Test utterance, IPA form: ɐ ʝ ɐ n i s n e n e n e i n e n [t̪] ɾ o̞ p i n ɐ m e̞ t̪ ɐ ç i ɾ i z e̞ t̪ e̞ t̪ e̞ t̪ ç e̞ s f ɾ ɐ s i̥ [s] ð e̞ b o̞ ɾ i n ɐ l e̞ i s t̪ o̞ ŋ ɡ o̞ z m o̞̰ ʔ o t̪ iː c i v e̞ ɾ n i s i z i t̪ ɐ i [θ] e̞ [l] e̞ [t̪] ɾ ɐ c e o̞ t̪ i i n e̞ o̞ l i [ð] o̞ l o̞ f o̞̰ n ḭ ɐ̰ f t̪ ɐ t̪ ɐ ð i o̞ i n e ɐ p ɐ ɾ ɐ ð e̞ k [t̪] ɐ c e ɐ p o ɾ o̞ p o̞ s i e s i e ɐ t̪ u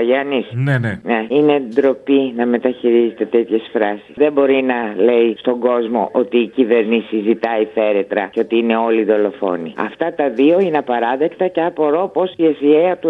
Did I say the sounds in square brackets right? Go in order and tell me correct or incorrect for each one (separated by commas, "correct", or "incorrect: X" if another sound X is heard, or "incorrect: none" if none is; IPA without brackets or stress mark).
incorrect: d̪, correct, correct, incorrect: ɾ, correct, correct, correct